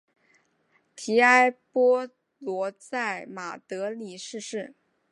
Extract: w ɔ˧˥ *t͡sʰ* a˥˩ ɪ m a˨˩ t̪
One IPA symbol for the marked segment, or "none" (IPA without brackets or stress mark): t͡s